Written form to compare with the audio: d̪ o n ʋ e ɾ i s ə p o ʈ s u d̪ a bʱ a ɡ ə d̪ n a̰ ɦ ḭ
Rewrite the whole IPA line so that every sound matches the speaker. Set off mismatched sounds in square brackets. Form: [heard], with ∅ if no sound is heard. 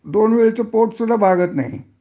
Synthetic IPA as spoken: d̪ o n ʋ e [ɭ] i [t͡s] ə p o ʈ s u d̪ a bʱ a ɡ ə [t̪] n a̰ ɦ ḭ